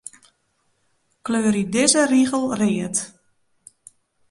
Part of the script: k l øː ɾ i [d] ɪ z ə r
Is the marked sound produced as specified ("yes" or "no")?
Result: yes